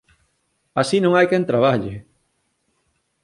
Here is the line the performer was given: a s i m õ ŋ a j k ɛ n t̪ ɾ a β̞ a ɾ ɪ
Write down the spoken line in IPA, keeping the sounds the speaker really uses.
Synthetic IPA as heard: a s i n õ ŋ a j k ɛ n t̪ ɾ a β̞ a ʎ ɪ